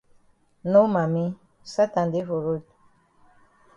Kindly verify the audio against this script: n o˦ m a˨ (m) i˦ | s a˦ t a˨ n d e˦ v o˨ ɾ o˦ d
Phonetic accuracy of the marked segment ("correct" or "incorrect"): correct